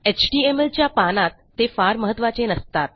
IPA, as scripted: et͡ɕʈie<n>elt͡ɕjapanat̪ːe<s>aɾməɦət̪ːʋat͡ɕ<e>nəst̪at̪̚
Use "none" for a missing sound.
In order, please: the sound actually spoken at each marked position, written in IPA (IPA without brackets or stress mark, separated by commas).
m, f, e